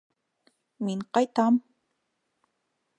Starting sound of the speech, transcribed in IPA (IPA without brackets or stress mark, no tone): m